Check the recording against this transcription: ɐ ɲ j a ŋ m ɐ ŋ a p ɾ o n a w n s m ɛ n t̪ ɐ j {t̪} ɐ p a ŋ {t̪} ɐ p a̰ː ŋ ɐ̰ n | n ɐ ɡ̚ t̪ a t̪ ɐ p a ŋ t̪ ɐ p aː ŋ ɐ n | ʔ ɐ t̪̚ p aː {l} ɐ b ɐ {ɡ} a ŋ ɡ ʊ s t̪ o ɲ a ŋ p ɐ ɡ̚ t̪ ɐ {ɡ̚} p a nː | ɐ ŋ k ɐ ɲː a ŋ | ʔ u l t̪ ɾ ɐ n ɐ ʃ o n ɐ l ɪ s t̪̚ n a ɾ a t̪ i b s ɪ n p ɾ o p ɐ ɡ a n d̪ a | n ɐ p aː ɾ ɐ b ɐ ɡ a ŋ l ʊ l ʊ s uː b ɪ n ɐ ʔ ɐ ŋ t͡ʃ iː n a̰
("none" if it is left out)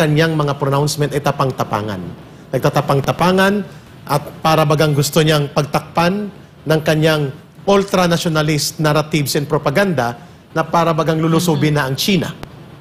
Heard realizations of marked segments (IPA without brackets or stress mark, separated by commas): t̪, t̪, ɾ, ɡ, k̚